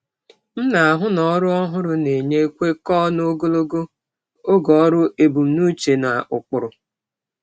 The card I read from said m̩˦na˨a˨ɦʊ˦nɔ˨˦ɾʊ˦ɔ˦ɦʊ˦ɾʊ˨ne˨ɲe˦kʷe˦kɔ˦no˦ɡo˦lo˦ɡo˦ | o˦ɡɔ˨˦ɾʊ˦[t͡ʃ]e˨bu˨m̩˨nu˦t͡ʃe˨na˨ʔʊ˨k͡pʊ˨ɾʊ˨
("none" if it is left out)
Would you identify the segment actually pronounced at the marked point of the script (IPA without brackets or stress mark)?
none